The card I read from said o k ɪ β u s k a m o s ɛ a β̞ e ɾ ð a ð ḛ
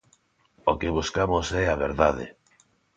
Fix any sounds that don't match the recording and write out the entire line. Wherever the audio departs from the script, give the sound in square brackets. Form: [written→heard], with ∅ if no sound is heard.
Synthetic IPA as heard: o k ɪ β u s k a m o s ɛ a β̞ e ɾ ð a ð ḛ